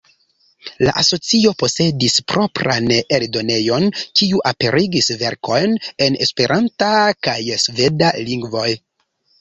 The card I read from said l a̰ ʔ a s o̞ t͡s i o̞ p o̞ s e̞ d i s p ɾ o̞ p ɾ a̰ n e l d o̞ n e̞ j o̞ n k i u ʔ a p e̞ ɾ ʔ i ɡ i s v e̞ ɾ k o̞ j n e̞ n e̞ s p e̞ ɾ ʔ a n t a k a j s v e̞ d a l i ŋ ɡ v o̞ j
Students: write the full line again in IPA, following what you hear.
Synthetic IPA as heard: l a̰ ʔ a s o̞ t͡s i o̞ p o̞ s e̞ d i s p ɾ o̞ p ɾ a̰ n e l d o̞ n e̞ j o̞ n k i u ʔ a p e̞ ɾ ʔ i ɡ i s v e̞ ɾ k o̞ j n e̞ n e̞ s p e̞ ɾ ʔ a n t a k a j s v e̞ d a l i ŋ ɡ v o̞ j